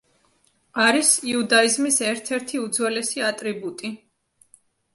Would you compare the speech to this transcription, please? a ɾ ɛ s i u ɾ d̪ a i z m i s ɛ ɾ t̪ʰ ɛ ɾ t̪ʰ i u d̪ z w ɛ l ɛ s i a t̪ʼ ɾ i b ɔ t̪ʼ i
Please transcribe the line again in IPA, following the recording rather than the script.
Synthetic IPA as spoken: a ɾ i s i u d̪ a i z m i s ɛ ɾ t̪ʰ ɛ ɾ t̪ʰ i u d̪ z w ɛ l ɛ s i a t̪ʼ ɾ i b u t̪ʼ i